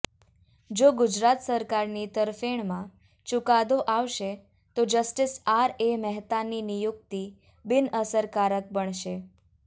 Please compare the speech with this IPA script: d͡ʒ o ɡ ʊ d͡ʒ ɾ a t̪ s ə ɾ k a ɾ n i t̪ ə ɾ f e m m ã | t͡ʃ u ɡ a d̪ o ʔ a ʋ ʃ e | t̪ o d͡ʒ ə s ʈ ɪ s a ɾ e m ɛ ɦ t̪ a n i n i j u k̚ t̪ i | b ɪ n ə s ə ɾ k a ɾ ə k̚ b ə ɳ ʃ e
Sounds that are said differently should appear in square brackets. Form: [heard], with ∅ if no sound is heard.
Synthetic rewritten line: d͡ʒ o ɡ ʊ d͡ʒ ɾ a t̪ s ə ɾ k a ɾ n i t̪ ə ɾ f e [ɳ] m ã | t͡ʃ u [k] a d̪ o ʔ a ʋ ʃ e | t̪ o d͡ʒ ə s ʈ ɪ s a ɾ e m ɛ ɦ t̪ a n i n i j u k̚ t̪ i | b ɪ n ə s ə ɾ k a ɾ ə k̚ b ə ɳ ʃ e

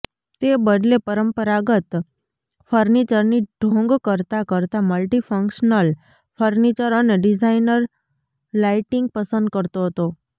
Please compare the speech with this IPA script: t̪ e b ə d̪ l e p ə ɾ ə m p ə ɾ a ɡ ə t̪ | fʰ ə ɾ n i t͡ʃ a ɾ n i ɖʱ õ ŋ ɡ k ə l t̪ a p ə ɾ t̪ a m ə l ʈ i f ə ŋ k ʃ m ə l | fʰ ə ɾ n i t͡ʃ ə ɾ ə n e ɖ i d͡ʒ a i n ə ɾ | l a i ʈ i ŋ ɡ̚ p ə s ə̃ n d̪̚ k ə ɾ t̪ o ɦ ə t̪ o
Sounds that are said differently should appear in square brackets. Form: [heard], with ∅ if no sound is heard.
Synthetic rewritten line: t̪ e b ə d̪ l e p ə ɾ ə m p ə ɾ a ɡ ə t̪ | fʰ ə ɾ n i t͡ʃ [ə] ɾ n i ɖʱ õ ŋ ɡ k ə [ɾ] t̪ a [k] ə ɾ t̪ a m ə l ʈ i f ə ŋ k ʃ [n] ə l | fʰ ə ɾ n i t͡ʃ ə ɾ ə n e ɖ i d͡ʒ a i n ə ɾ | l a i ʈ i ŋ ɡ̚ p ə s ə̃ n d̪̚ k ə ɾ t̪ o ɦ ə t̪ o

